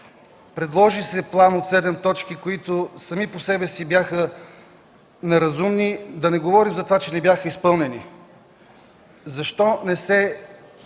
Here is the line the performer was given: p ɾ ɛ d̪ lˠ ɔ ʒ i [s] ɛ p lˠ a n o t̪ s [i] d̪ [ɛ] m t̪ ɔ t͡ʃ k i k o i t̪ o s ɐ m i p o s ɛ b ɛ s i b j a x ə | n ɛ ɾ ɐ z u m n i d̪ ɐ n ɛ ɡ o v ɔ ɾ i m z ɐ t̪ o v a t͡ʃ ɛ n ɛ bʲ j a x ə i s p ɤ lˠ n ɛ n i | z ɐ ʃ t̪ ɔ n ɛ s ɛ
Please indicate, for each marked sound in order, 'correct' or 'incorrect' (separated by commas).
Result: correct, incorrect, correct